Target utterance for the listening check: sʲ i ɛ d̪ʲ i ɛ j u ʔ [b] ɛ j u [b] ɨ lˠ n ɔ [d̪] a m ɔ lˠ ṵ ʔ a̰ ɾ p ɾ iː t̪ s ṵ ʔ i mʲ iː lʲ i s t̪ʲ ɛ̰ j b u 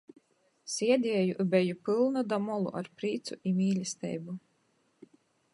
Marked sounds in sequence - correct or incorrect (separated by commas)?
correct, incorrect, correct